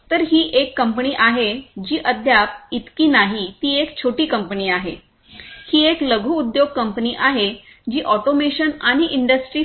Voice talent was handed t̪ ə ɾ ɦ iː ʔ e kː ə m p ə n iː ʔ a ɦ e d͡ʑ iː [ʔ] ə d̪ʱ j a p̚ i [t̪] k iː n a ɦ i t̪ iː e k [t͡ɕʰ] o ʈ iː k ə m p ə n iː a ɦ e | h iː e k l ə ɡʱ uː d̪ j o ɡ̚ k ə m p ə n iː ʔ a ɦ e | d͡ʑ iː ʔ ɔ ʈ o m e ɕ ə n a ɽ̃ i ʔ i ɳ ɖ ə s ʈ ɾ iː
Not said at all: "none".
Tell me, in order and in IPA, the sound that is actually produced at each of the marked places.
ʔ, t̪, t͡ɕʰ

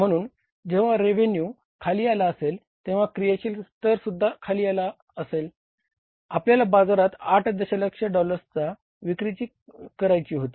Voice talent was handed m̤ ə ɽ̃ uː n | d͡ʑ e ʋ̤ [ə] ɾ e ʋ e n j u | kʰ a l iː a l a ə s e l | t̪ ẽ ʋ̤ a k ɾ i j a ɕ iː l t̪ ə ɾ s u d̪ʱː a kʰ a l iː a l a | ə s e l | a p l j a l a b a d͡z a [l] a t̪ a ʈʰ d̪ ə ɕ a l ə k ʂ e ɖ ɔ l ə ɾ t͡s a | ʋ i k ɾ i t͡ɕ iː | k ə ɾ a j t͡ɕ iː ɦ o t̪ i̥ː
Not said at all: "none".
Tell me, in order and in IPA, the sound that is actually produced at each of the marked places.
a, ɾ

